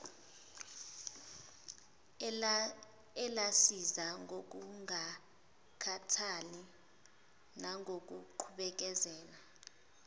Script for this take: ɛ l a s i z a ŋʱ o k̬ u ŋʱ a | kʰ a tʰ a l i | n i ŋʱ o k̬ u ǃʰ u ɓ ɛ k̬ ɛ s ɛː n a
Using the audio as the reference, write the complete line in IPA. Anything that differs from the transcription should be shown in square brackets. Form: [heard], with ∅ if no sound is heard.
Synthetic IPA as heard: ɛ l a s i z a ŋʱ o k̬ u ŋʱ a | kʰ a tʰ a l i | n [a] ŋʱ o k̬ u ǃʰ u ɓ ɛ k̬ ɛ [z] ɛː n a